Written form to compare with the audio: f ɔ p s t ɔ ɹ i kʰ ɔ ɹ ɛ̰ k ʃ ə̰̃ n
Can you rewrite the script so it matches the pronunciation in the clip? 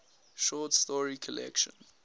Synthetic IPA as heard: ʃ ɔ t s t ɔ ɹ i kʰ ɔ l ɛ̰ k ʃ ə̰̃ n